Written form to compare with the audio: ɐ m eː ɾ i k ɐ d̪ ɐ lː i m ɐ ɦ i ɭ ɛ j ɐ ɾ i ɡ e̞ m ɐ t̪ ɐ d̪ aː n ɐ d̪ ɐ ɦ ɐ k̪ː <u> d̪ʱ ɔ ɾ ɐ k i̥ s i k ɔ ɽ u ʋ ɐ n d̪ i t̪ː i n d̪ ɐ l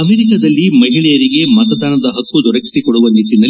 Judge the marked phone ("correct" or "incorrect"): correct